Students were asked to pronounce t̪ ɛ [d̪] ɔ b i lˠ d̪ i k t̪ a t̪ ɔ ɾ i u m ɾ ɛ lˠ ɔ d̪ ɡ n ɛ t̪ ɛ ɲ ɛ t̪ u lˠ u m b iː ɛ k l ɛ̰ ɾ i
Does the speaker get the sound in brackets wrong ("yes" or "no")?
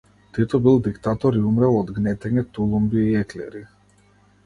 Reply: yes